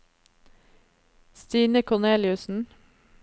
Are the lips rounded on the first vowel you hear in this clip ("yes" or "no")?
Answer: no